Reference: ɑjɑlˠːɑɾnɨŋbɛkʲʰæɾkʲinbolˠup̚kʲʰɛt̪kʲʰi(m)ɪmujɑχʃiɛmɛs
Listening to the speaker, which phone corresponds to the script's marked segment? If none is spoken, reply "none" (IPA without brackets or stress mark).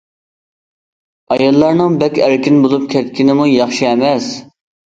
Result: n